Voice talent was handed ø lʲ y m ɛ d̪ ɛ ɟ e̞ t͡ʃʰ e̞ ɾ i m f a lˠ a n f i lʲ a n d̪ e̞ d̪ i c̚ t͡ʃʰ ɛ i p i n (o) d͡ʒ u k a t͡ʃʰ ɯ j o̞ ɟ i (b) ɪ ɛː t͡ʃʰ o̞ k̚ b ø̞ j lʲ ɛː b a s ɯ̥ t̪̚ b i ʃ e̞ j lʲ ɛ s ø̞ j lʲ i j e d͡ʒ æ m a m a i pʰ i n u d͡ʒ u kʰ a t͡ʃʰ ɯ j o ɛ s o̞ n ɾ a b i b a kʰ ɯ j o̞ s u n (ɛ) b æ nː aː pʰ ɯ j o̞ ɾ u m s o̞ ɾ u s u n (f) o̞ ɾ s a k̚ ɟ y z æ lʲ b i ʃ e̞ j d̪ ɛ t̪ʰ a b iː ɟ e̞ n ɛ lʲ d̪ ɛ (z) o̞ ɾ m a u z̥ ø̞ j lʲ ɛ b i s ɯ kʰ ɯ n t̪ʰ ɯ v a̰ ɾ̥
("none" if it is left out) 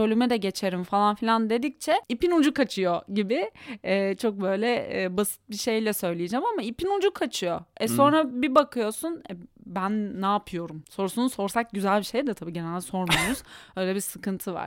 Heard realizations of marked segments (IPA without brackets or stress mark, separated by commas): u, b, ɛ, s, s